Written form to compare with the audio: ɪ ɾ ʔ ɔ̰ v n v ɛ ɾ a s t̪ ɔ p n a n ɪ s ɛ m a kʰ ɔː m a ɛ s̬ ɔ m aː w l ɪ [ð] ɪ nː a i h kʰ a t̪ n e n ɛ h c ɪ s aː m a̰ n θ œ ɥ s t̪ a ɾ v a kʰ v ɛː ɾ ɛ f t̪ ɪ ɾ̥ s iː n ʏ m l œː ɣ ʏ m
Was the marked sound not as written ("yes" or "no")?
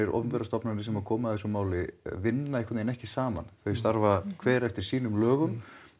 yes